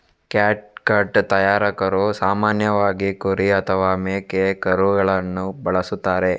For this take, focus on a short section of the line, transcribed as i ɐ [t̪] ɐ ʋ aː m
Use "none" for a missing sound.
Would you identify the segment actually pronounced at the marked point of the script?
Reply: t̪ʰ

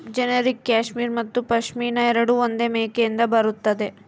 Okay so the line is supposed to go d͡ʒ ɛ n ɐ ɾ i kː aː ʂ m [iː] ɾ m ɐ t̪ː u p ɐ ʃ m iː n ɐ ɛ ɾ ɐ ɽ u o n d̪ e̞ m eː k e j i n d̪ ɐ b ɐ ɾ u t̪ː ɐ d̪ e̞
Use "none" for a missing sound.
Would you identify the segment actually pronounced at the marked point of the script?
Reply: iː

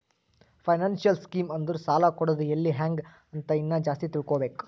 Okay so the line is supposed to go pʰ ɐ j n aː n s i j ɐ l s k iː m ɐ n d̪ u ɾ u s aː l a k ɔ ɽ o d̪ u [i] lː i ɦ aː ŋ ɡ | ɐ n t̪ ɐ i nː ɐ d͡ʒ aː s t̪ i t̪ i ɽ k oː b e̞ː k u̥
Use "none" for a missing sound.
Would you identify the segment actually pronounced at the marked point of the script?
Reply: e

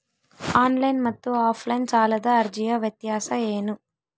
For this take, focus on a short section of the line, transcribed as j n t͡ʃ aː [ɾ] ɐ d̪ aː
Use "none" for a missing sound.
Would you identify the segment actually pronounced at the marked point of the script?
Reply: l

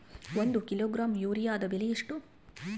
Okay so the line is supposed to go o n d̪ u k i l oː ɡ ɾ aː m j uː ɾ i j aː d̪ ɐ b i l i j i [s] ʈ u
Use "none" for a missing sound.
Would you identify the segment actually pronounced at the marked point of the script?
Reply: ʂ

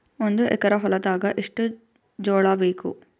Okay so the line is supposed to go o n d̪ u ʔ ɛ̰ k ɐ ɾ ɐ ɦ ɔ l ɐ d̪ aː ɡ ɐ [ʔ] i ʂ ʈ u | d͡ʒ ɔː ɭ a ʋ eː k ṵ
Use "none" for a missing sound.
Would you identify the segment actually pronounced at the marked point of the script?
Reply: ʔ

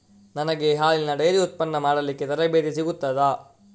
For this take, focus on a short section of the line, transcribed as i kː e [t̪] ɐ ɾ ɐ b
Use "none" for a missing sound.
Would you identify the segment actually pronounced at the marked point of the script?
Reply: t̪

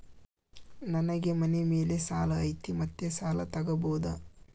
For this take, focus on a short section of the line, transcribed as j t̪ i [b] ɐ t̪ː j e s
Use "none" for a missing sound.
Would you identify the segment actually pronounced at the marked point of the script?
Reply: m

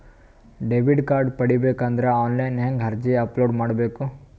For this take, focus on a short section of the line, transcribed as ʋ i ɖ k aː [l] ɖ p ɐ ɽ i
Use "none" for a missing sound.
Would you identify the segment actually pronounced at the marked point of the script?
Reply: ɾ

